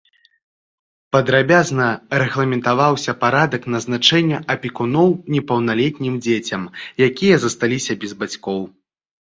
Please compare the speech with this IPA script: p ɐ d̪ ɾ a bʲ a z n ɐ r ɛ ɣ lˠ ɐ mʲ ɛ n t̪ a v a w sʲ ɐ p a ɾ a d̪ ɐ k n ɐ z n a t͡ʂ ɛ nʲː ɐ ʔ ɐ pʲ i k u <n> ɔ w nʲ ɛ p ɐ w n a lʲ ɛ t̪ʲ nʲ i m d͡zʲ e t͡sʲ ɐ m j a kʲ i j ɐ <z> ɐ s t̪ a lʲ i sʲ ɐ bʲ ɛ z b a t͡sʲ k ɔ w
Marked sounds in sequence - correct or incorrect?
correct, correct

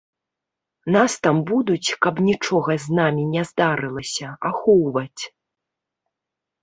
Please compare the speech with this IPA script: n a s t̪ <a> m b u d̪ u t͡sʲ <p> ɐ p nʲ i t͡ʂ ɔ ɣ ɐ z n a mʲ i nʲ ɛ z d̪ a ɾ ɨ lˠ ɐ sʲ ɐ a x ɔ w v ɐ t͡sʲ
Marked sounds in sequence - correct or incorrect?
correct, incorrect: k

